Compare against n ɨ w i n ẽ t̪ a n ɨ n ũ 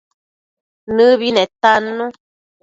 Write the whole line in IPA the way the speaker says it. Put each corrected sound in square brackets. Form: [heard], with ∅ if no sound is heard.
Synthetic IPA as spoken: n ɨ [β] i n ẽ t̪ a n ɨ n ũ